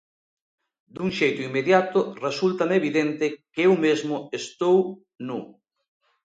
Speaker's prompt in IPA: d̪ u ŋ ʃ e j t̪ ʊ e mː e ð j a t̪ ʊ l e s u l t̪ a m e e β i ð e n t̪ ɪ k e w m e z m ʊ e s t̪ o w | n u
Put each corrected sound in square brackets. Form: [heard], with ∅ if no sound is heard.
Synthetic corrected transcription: d̪ u ŋ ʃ e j t̪ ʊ [i] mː e ð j a t̪ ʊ [r] e s u l t̪ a m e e β i ð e n t̪ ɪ k e w m e z m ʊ e s t̪ o w | n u

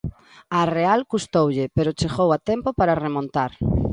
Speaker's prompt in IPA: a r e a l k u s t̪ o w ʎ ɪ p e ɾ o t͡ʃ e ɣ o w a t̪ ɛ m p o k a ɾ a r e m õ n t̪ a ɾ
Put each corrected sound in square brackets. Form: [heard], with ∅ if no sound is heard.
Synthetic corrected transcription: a r e a l k u s t̪ o w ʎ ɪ p e ɾ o t͡ʃ e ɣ o w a t̪ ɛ m p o [p] a ɾ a r e m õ n t̪ a ɾ

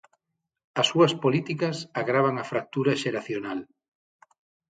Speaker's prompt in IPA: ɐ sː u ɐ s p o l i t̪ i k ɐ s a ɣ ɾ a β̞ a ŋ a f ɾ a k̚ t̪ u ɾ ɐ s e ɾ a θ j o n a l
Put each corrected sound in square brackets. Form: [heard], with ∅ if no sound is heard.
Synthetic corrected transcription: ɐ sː u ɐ s p o l i t̪ i k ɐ s a ɣ ɾ a β̞ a ŋ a f ɾ a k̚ t̪ u ɾ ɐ [ʃ] e ɾ a θ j o n a l

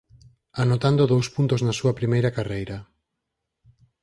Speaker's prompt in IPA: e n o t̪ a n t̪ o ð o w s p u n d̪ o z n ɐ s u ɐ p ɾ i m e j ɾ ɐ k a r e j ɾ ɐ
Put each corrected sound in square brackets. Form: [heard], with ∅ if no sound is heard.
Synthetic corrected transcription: [a] n o t̪ a n [d̪] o ð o w s p u n [t̪] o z n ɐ s u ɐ p ɾ i m e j ɾ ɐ k a r e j ɾ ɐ

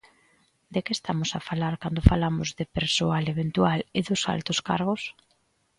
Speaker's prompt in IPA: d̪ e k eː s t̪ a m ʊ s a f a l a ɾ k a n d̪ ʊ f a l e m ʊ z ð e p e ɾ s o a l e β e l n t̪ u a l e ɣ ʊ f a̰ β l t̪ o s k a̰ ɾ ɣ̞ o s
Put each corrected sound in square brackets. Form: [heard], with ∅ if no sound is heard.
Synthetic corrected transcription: d̪ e k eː s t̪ a m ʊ s a f a l a ɾ k a n d̪ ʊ f a l [a] m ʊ z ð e p e ɾ s o a l e β e [∅] n t̪ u a l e [ð] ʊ [s] a̰ [∅] l t̪ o s k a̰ ɾ ɣ̞ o s

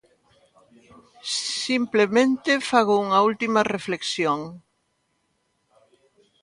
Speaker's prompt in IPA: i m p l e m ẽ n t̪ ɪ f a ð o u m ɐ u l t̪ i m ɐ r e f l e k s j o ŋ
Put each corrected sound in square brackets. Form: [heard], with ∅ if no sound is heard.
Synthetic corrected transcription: i m p l e m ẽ n t̪ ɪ f a [ɣ] o u [ŋ] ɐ u l t̪ i m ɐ r e f l e k s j o ŋ

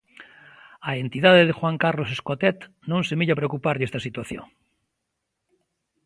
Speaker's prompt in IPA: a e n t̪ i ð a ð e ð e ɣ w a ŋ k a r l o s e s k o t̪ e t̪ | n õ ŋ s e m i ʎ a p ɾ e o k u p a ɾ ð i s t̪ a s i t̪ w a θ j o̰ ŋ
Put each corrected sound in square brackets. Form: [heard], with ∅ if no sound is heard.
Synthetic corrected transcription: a e n t̪ i ð a ð e ð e [x] w a ŋ k a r l o s e s k o t̪ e t̪ | n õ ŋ s e m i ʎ a p ɾ e o k u p a ɾ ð [e] s t̪ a s i t̪ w a θ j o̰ ŋ

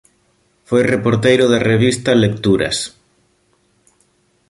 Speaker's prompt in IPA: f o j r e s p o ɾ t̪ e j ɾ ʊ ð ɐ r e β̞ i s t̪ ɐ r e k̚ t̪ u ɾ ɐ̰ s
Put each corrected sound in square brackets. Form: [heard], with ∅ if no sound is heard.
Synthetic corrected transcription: f o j r e [∅] p o ɾ t̪ e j ɾ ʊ ð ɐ r e β̞ i s t̪ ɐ [l] e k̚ t̪ u ɾ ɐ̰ s

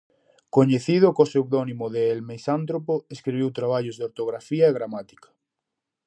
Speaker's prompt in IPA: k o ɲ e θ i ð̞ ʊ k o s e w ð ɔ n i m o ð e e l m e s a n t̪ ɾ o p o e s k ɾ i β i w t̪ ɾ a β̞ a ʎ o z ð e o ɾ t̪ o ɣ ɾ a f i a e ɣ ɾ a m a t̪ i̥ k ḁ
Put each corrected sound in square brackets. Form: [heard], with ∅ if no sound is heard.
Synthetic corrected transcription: k o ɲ e θ i ð̞ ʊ k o s e w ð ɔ n i m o ð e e l m e s a n t̪ ɾ o p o e s k ɾ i β i w t̪ ɾ a β̞ a ʎ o z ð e o ɾ t̪ o ɣ ɾ a f i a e ɣ ɾ a m a t̪ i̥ k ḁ

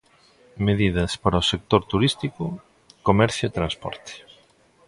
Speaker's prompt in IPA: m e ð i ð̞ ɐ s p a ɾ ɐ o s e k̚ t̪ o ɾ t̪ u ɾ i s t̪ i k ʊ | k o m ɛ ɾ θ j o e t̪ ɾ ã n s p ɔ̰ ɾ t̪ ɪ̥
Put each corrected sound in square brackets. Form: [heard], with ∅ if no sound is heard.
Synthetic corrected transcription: m e ð i ð̞ ɐ s p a ɾ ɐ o s e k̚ t̪ o ɾ t̪ u ɾ i s t̪ i k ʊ | k o m ɛ ɾ θ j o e t̪ ɾ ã n s p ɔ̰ ɾ t̪ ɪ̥

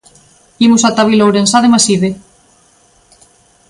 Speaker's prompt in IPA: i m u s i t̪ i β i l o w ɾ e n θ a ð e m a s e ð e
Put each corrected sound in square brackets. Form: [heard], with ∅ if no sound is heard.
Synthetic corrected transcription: i m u s [a] t̪ [a] β i l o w ɾ e n [s] a ð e m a s [i] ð e

